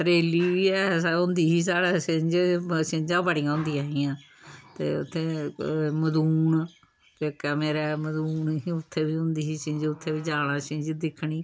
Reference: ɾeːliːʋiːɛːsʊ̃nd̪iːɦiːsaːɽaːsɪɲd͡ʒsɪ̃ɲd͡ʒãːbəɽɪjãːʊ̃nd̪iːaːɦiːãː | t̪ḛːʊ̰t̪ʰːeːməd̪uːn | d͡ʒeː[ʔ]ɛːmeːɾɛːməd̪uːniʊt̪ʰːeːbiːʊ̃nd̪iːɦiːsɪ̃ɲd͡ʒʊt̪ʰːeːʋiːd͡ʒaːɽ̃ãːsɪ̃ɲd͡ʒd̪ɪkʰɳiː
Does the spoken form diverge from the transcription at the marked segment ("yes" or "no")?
yes